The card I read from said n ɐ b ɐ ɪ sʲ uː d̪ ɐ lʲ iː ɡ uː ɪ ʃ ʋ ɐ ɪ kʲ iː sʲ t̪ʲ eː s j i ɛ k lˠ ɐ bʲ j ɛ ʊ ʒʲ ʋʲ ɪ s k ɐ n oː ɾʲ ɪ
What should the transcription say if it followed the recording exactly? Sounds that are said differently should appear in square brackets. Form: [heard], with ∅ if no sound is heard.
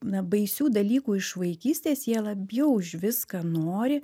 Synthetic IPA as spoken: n ɐ b ɐ ɪ sʲ uː d̪ ɐ lʲ iː [k] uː ɪ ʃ ʋ ɐ ɪ kʲ iː sʲ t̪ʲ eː s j i ɛ [∅] lˠ ɐ bʲ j ɛ ʊ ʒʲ ʋʲ ɪ s k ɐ n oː ɾʲ ɪ